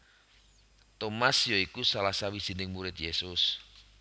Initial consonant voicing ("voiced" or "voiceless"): voiceless